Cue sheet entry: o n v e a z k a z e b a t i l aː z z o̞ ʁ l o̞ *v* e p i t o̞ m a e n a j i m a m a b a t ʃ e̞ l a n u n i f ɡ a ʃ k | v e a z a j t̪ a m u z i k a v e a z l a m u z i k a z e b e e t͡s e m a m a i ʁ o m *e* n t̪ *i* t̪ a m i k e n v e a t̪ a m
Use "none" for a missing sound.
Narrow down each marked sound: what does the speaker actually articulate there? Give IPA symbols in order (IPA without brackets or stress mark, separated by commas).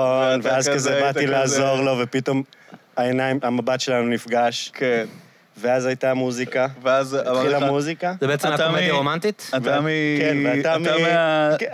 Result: v, a, i